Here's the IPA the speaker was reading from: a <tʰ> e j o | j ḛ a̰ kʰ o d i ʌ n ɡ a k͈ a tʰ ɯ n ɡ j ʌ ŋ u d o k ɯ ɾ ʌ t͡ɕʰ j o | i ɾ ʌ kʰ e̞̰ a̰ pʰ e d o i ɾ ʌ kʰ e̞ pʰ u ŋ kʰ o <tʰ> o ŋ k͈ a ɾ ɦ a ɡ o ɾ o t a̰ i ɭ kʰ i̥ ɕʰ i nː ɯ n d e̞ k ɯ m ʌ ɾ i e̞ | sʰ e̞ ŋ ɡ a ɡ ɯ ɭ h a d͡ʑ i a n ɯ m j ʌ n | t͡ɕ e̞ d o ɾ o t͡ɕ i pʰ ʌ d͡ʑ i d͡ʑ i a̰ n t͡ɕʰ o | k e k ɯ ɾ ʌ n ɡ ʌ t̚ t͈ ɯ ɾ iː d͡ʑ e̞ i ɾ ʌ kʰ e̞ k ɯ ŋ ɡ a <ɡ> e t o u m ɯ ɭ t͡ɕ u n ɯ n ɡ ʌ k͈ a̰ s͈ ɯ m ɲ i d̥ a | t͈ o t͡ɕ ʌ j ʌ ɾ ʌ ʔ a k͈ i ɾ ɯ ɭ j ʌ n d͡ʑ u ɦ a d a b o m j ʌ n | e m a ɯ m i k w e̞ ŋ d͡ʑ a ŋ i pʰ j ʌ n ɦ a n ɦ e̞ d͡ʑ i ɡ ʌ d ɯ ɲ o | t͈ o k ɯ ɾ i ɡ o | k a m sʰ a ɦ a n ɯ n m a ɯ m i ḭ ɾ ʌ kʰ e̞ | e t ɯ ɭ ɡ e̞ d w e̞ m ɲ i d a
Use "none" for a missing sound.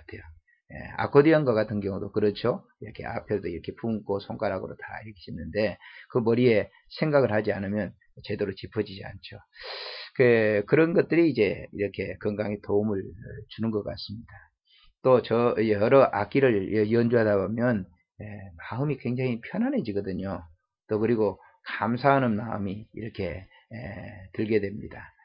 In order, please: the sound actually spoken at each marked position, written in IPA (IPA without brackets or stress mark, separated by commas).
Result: tʰ, sʰ, ŋ